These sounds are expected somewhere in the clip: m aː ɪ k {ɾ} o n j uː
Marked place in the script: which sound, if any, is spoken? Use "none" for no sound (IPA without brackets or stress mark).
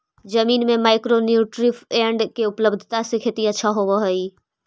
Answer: ɾ